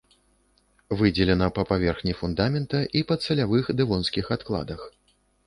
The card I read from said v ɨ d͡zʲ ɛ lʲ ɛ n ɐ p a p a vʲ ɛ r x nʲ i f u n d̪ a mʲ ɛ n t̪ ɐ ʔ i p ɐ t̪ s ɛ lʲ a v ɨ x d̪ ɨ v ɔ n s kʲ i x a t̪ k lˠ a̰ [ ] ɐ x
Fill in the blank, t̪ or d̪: d̪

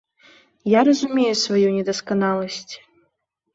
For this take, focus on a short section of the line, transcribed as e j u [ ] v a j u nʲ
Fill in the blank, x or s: s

